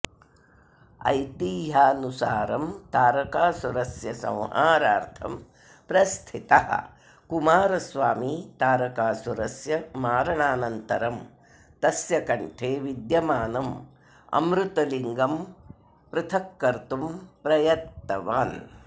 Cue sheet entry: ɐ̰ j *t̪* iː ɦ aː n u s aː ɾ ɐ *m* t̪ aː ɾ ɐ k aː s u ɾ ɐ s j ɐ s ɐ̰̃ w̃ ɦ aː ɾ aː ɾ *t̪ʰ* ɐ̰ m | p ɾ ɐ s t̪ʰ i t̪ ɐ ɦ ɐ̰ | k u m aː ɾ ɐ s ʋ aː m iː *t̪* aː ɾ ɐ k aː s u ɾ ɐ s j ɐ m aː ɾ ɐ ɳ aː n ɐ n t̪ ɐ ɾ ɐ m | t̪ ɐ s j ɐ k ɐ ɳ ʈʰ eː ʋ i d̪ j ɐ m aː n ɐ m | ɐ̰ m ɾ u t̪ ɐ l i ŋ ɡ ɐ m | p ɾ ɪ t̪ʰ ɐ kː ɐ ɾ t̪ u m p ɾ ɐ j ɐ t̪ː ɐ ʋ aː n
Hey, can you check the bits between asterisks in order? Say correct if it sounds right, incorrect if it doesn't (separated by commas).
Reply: correct, correct, correct, correct